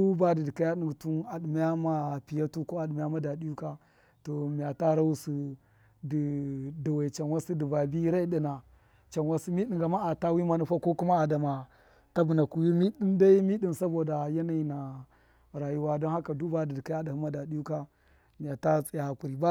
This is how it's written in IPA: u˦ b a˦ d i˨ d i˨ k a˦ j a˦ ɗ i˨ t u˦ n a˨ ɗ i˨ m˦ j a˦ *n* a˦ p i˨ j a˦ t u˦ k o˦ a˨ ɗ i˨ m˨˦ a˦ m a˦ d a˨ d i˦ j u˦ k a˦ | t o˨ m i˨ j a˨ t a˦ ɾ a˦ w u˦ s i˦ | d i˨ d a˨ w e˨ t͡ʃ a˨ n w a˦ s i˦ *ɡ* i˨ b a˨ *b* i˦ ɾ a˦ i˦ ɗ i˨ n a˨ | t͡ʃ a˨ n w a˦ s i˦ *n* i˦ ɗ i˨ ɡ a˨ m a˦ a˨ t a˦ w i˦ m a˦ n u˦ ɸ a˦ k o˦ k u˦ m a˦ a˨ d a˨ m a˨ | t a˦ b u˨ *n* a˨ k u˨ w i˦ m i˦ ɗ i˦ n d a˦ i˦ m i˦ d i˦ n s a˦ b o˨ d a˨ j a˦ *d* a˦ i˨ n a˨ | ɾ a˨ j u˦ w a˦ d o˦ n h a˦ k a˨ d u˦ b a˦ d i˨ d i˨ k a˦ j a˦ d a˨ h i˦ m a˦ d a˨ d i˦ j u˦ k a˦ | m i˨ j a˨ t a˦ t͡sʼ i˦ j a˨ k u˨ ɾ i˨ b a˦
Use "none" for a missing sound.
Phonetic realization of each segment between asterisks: m, d, b, m, n, n

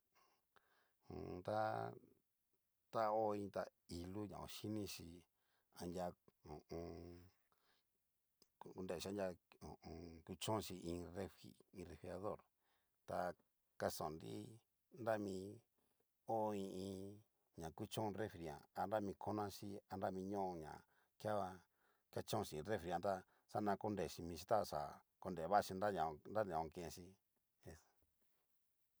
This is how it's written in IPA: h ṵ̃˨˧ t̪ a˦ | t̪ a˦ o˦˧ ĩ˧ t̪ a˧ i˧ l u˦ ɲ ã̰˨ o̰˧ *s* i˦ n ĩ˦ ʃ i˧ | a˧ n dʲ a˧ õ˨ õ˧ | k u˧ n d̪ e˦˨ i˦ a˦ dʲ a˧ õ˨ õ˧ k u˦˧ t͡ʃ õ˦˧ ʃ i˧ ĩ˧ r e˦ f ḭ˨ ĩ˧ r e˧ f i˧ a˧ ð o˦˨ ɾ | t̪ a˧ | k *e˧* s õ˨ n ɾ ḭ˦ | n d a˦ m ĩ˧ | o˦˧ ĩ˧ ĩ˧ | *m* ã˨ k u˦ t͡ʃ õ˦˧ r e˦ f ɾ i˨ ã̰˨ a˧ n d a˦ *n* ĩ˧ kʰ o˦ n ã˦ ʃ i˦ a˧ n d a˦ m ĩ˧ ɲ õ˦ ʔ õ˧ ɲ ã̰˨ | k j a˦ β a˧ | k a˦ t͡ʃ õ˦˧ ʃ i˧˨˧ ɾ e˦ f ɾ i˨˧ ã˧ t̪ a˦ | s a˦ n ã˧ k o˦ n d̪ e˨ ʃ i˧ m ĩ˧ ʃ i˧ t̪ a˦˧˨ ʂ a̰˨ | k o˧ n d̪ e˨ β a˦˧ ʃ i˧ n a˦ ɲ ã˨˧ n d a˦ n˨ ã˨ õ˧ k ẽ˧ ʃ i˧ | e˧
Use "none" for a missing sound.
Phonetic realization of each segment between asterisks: ʃ, a˧, ɲ, m

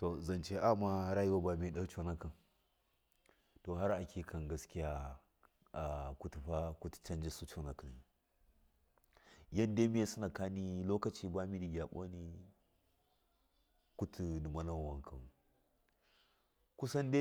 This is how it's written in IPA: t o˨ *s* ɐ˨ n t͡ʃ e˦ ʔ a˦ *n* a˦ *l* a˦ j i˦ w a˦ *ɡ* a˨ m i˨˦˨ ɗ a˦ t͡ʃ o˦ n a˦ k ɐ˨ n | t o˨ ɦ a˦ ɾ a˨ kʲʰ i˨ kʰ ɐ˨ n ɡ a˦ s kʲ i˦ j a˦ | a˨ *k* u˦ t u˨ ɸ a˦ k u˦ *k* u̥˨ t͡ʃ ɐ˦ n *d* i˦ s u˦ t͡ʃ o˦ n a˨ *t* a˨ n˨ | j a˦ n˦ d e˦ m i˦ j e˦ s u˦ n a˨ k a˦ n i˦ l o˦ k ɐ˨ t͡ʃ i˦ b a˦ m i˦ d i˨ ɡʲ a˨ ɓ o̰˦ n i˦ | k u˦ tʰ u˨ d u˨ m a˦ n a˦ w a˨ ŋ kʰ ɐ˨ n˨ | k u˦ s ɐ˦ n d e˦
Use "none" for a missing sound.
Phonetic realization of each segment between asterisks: z, m, ɾ, b, k, t, d͡ʒ, k

